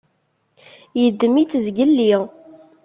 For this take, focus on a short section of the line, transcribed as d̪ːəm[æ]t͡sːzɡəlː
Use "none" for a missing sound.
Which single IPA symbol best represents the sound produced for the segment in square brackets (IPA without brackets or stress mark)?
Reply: i